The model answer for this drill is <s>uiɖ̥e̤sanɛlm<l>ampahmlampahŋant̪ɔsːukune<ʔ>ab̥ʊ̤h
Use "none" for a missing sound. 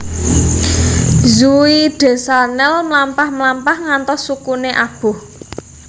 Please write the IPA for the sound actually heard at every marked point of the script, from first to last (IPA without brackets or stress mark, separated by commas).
z, l, ʔ